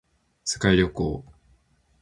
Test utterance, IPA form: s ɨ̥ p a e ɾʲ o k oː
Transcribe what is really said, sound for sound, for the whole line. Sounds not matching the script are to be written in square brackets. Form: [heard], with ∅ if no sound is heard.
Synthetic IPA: s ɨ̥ [k] a [i] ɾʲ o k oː

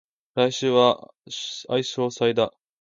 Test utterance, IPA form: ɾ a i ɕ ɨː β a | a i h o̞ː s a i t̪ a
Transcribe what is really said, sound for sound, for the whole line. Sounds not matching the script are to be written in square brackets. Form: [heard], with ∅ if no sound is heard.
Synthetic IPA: ɾ a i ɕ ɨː β a | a i [ɕ] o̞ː s a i [d̪] a

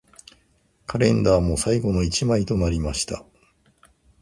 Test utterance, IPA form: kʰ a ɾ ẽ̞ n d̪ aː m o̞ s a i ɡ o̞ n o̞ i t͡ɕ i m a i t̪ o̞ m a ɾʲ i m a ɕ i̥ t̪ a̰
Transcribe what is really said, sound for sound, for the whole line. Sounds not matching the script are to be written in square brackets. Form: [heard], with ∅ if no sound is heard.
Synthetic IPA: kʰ a ɾ ẽ̞ n d̪ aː m o̞ s a i ɡ o̞ n o̞ i t͡ɕ i m a i t̪ o̞ [n] a ɾʲ i m a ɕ i̥ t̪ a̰

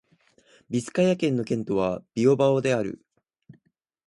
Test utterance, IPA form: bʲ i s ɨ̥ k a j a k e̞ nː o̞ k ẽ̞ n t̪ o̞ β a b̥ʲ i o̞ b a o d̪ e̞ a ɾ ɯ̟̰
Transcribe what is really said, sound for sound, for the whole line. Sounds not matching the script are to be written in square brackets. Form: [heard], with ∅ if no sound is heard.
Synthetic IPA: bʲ i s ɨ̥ k a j a k [ẽ̞] nː o̞ k ẽ̞ n t̪ o̞ β a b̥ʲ i o̞ b a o d̪ e̞ a ɾ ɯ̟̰

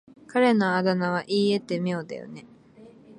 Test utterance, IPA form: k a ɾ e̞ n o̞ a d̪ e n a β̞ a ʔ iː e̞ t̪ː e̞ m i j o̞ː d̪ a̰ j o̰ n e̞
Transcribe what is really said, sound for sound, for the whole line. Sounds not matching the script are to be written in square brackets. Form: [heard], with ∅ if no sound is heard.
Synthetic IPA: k a ɾ e̞ n o̞ a d̪ [a] n a β̞ a ʔ iː e̞ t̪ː e̞ m i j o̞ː d̪ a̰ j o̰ n e̞

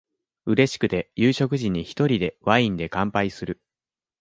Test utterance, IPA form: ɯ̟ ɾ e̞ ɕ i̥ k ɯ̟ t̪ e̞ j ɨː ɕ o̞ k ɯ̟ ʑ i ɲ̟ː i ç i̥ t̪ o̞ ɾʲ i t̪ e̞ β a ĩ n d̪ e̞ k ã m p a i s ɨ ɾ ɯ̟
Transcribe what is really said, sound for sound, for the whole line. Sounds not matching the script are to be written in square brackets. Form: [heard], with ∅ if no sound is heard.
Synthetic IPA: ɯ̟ ɾ e̞ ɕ i̥ k ɯ̟ t̪ e̞ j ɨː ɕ o̞ k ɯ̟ ʑ i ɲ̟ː i ç i̥ t̪ o̞ ɾʲ i [d̪] e̞ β a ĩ n d̪ e̞ k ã m p a i s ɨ ɾ ɯ̟

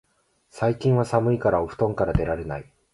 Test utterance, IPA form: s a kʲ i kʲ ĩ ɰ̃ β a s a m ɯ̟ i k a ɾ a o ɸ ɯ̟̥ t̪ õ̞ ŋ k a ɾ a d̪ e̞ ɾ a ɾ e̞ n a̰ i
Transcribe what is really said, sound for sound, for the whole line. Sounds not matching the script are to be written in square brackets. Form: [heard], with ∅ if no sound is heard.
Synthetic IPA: s a [∅] i kʲ ĩ ɰ̃ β a s a m ɯ̟ i k a ɾ a o ɸ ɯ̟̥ t̪ õ̞ ŋ k a ɾ a d̪ e̞ ɾ a ɾ e̞ n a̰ i

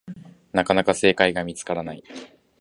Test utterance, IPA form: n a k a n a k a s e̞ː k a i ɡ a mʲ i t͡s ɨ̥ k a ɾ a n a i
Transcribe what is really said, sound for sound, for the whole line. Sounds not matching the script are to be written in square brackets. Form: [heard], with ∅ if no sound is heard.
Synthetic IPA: n a k a n a k a s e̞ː k a i ɡ a mʲ i t͡s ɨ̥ k a ɾ a n a i

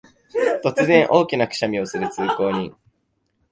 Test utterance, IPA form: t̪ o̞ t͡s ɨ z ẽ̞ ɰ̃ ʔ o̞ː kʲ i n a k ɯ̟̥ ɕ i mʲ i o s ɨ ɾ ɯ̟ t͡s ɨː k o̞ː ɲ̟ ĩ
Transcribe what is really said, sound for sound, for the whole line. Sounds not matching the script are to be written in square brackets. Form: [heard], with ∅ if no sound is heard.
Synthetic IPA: t̪ o̞ t͡s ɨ z ẽ̞ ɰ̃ ʔ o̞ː kʲ i n a k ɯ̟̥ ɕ [a] mʲ i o s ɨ ɾ ɯ̟ t͡s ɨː k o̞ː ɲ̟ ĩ

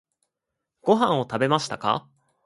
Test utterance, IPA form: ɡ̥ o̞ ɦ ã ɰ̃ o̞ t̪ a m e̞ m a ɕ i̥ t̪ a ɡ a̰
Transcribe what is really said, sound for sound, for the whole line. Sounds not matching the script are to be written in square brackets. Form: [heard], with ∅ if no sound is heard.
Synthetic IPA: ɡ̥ o̞ ɦ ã ɰ̃ o̞ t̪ a [b] e̞ m a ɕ i̥ t̪ a [k] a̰

